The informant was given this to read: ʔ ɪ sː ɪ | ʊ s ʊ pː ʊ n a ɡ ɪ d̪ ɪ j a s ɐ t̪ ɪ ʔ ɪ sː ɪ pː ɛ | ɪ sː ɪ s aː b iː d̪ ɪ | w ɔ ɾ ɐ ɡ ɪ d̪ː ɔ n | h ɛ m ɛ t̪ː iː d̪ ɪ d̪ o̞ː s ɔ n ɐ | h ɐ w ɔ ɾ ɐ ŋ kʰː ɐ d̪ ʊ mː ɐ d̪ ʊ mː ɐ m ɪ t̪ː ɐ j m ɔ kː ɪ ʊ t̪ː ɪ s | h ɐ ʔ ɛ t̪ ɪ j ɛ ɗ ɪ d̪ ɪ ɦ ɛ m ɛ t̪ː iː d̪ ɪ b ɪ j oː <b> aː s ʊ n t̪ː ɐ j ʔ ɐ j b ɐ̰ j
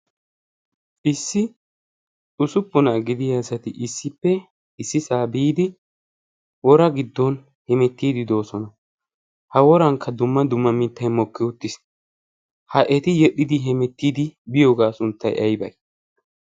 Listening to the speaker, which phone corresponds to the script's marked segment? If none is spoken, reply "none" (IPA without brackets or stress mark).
ɡ